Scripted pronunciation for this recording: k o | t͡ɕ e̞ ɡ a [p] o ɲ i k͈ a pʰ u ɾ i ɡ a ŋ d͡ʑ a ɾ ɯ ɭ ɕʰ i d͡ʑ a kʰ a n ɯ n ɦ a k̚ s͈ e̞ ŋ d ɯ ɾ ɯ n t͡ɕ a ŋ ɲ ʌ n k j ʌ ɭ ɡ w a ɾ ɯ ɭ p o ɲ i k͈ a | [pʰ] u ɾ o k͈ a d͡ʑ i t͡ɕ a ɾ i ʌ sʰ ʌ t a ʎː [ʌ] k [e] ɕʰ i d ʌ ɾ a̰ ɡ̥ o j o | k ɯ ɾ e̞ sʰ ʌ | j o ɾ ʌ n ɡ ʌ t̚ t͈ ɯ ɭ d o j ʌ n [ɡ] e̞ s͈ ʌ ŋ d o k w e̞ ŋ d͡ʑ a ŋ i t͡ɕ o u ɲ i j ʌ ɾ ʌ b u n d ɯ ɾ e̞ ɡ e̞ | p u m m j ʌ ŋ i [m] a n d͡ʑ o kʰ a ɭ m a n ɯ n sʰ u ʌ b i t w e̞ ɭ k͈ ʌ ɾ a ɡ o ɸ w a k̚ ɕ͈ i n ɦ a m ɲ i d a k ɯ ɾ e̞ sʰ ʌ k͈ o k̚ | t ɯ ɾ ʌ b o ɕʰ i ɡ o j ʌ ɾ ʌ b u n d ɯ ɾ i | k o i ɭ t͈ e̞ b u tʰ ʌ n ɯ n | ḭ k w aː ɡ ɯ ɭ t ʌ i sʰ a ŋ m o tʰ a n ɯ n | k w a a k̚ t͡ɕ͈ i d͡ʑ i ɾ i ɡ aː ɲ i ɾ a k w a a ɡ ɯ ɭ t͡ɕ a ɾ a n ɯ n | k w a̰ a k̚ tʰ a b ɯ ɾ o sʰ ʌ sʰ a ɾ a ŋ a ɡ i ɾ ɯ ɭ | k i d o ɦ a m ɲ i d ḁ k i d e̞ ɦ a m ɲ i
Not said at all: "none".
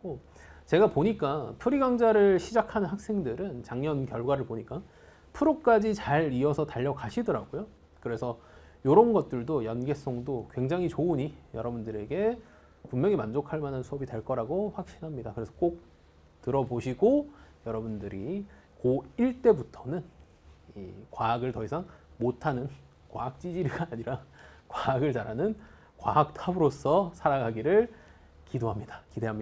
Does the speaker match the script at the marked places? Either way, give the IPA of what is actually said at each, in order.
p, pʰ, ʌ, a, ɡ, m

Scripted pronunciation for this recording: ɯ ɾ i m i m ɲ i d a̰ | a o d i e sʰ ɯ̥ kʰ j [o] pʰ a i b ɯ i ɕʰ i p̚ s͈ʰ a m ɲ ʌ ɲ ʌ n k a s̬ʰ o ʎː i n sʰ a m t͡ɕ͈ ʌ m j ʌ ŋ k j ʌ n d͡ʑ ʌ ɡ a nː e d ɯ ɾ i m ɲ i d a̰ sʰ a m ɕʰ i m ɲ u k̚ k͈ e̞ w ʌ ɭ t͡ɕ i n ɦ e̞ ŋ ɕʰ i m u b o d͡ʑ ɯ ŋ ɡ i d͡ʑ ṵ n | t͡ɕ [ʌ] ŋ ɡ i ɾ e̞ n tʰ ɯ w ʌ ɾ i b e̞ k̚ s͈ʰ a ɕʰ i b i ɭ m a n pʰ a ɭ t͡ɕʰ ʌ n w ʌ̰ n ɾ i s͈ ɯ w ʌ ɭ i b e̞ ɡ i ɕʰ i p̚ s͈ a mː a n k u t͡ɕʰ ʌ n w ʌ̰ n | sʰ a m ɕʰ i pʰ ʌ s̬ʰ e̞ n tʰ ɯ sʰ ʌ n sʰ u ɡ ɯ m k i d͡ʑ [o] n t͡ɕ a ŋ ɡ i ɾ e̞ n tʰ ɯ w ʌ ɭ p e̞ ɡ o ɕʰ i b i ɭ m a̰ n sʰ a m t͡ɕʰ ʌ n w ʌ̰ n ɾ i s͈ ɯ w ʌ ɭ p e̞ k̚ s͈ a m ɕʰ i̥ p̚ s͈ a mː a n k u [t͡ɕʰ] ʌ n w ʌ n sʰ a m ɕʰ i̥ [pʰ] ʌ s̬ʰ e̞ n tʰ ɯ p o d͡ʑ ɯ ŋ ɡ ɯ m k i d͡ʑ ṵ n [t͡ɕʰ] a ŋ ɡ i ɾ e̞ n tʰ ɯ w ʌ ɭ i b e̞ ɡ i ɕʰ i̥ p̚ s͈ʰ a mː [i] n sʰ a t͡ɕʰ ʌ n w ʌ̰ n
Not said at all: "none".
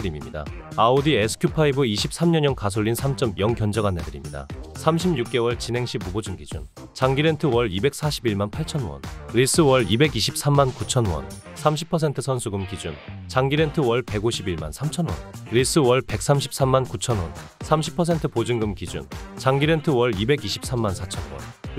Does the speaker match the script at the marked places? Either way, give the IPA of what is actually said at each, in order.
u, a, u, t͡ɕʰ, pʰ, t͡ɕ, a

